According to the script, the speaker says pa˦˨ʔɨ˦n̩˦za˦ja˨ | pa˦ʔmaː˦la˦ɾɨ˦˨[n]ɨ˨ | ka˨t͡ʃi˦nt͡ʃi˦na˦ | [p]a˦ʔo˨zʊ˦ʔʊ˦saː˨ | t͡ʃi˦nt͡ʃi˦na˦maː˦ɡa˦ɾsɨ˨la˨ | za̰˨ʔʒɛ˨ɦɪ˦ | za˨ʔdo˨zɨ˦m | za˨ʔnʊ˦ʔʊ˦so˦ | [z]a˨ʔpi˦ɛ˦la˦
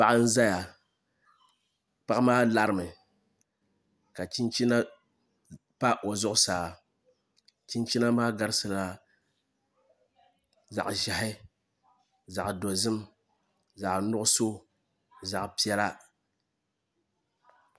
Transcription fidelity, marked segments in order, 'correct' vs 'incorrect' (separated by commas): incorrect, correct, correct